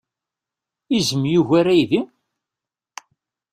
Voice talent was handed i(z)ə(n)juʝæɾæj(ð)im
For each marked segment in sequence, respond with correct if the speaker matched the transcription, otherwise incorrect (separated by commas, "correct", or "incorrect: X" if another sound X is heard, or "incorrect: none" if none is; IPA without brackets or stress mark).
correct, incorrect: m, correct